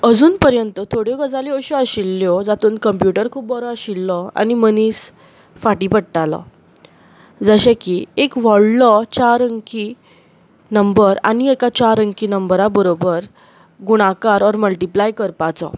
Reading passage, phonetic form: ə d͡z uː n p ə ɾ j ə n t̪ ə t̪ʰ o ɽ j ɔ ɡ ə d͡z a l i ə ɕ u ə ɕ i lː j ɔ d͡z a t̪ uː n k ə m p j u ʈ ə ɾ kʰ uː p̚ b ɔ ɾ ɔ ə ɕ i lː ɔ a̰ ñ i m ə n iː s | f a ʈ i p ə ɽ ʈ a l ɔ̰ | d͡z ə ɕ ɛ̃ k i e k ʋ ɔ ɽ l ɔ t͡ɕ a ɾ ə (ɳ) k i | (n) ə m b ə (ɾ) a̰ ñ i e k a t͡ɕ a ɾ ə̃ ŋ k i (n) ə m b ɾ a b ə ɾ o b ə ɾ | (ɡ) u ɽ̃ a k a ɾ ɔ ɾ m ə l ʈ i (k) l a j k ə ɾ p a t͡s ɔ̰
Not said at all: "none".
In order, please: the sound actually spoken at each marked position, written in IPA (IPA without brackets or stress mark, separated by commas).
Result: ŋ, n, ɾ, n, ɡ, p